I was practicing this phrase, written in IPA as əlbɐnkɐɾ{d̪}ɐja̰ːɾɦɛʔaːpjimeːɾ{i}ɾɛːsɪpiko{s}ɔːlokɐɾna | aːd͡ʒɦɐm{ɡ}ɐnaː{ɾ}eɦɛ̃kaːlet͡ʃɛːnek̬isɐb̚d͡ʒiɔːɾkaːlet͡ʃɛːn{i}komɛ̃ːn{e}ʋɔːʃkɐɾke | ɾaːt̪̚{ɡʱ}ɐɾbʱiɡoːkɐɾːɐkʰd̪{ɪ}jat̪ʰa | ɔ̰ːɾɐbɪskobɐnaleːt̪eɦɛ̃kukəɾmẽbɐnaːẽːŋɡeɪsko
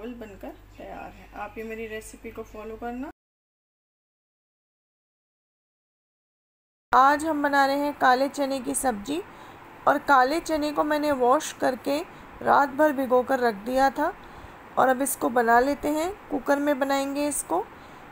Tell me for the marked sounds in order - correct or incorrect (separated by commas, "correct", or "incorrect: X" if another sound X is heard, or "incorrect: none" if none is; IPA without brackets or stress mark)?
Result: incorrect: t̪, correct, incorrect: f, incorrect: b, correct, incorrect: e, correct, incorrect: bʱ, incorrect: i